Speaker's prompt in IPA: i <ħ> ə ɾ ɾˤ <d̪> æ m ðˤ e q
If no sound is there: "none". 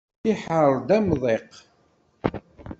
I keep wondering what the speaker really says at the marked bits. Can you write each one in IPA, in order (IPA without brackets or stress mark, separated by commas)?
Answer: ħ, d̪